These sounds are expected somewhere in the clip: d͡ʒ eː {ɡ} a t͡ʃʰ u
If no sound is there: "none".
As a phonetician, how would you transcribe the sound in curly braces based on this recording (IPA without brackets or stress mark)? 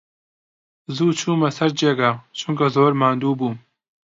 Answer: ɡ